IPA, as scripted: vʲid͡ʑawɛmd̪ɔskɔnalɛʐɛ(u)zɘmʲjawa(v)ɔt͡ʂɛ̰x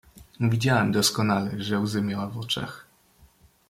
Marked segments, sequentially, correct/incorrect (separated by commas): incorrect, correct